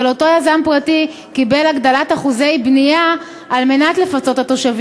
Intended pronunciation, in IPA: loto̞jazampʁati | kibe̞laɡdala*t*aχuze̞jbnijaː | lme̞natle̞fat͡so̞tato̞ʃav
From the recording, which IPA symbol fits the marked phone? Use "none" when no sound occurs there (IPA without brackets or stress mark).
t